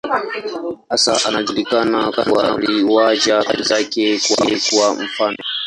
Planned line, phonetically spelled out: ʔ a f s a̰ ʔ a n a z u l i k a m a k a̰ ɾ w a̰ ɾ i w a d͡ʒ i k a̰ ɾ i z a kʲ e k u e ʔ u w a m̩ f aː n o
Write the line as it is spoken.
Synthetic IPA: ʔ a s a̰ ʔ a n a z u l i k a n a k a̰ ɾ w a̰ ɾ i w a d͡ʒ a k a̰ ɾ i z a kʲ e k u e k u w a m̩ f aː n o